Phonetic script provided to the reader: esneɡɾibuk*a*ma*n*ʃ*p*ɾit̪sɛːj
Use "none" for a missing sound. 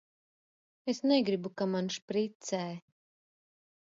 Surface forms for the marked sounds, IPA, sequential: a, n, p

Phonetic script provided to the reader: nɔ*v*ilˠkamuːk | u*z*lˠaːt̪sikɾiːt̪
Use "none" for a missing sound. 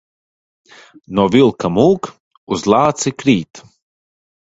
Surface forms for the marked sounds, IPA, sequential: v, z

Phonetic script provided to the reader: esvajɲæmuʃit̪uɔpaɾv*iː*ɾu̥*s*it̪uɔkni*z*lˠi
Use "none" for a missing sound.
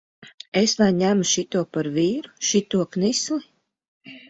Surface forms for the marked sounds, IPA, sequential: iː, ʃ, s

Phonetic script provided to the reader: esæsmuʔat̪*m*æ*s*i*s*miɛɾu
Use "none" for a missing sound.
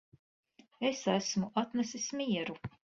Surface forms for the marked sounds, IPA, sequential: n, s, s

